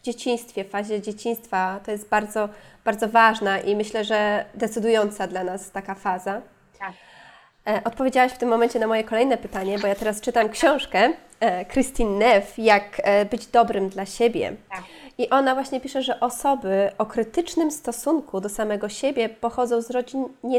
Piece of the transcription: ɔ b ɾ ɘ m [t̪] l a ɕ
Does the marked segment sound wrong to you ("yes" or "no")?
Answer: yes